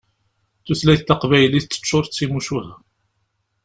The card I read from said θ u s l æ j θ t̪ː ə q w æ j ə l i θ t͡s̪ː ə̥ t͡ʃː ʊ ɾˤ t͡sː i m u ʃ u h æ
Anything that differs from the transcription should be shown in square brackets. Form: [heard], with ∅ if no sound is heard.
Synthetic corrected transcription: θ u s l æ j θ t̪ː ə q [v] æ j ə l i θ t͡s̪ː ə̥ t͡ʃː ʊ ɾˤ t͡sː i m u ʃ u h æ